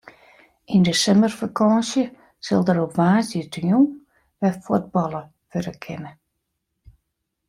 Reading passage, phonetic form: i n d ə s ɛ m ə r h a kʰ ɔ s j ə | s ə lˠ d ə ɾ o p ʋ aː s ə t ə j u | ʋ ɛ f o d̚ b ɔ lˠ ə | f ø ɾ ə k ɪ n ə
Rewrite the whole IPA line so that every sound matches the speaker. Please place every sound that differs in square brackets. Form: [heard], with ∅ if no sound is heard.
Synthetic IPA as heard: i n d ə s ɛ m ə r [f] a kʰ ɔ s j ə | s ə lˠ d ə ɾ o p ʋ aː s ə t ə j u | ʋ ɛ f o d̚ b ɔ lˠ ə | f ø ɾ ə [kʰ] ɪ n ə